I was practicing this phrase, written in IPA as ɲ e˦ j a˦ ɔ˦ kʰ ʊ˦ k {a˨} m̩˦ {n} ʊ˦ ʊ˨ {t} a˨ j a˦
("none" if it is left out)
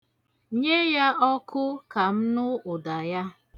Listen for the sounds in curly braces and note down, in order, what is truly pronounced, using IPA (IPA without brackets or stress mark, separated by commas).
a˨, n, d